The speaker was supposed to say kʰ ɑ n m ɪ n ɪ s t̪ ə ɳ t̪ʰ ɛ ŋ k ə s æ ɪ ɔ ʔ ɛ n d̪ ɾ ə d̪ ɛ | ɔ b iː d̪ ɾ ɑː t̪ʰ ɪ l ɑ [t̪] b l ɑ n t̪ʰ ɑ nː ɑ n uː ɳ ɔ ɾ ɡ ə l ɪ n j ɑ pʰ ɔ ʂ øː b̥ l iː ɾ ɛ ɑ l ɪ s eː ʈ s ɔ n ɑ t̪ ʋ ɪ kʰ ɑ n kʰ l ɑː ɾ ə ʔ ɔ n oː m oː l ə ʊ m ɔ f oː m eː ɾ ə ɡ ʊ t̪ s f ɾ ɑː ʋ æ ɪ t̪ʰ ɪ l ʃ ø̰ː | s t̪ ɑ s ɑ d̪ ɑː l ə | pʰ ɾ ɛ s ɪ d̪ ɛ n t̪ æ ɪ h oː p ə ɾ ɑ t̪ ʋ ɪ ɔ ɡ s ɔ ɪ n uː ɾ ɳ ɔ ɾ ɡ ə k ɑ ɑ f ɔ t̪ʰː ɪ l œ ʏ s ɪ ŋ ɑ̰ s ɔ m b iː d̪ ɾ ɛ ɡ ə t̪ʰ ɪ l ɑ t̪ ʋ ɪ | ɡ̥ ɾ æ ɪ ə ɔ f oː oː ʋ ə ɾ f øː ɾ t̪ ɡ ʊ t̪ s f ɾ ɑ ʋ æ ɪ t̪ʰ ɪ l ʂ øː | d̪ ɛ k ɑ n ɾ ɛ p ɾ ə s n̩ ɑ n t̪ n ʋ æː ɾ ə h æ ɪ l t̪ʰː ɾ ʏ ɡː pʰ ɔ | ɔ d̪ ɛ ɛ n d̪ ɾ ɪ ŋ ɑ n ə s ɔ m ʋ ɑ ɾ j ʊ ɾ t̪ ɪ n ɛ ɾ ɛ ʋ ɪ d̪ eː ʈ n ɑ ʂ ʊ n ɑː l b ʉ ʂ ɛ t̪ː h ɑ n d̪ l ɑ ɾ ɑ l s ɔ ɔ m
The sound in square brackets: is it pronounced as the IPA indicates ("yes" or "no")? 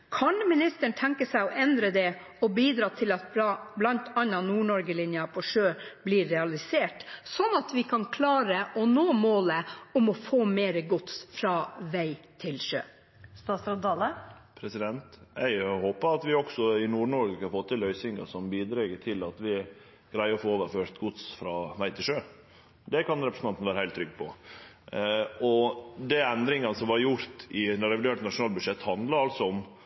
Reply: yes